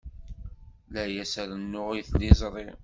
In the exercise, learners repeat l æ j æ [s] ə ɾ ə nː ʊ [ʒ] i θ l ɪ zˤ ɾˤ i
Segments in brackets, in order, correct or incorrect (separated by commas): correct, incorrect